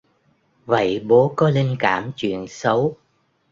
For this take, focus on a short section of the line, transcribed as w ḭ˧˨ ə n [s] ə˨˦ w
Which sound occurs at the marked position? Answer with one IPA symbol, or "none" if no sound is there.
s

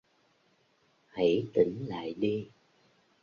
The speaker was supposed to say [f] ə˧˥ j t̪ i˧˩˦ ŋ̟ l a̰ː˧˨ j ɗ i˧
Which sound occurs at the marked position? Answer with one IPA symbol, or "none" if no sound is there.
h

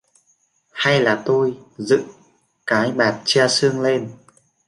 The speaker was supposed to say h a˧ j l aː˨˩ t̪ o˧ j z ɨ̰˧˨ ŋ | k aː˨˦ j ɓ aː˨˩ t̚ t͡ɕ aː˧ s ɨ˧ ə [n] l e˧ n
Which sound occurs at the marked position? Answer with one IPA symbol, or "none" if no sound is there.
ŋ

